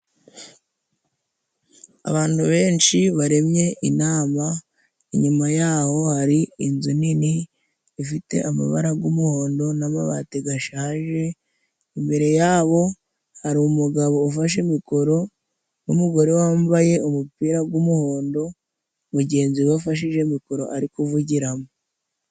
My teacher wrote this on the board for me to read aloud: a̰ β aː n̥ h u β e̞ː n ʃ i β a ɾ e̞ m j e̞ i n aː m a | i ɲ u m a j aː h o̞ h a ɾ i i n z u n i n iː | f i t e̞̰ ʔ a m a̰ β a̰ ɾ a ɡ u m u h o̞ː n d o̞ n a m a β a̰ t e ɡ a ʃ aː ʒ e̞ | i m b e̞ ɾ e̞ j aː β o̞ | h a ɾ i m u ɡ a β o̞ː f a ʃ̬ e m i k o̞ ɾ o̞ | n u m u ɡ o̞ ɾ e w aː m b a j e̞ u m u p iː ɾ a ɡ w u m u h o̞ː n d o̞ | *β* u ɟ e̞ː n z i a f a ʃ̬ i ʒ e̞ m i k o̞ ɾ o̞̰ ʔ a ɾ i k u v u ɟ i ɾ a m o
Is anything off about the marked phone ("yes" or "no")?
no